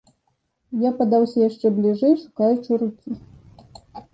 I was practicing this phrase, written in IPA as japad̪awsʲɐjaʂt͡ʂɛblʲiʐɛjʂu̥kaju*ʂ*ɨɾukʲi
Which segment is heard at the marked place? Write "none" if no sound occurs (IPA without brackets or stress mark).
t͡ʂ